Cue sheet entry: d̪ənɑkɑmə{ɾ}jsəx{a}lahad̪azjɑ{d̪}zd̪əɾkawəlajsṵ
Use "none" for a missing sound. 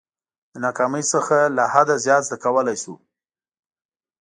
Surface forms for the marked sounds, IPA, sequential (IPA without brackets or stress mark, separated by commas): none, a, t̪